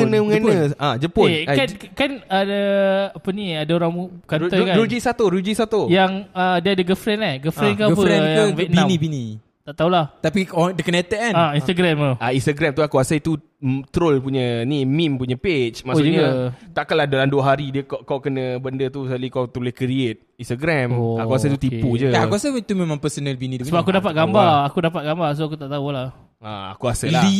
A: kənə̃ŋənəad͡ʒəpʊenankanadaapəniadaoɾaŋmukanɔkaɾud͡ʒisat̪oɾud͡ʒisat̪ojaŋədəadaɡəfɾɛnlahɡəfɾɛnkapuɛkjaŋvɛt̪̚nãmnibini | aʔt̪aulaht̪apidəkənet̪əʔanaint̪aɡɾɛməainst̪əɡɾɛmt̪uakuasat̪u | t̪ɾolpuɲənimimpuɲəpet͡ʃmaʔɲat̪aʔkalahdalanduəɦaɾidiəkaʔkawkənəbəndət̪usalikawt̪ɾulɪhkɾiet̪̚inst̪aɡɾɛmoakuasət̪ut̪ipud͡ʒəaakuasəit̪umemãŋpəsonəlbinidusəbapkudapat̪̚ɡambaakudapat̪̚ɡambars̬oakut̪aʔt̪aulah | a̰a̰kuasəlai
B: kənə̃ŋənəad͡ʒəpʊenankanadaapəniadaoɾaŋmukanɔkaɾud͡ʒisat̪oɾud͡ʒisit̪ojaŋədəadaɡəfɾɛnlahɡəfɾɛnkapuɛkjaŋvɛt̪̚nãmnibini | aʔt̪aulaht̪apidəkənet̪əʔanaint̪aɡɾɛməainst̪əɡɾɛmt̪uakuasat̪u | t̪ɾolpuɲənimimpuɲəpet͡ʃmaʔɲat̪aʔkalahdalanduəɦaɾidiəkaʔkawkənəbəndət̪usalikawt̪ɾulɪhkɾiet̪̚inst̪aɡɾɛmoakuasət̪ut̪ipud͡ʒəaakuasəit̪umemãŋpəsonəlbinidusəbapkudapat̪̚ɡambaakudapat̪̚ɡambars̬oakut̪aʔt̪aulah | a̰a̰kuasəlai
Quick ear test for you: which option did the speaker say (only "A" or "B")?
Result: A